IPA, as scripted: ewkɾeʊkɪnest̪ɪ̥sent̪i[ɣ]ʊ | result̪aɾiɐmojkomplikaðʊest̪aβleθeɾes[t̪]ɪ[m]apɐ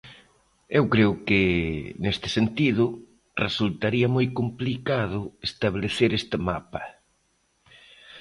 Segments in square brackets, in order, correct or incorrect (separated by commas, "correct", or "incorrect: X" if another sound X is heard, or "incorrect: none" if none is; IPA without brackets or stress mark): incorrect: ð, correct, correct